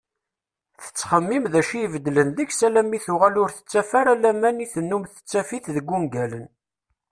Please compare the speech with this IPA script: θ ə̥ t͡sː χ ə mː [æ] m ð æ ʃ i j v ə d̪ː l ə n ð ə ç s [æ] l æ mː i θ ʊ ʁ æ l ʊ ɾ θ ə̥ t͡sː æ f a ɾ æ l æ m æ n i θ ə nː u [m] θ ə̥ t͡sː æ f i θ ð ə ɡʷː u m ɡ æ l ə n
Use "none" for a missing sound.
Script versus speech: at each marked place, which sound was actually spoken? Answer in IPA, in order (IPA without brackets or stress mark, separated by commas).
i, æ, m